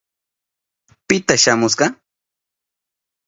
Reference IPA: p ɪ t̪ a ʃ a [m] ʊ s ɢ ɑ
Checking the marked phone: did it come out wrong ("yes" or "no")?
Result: no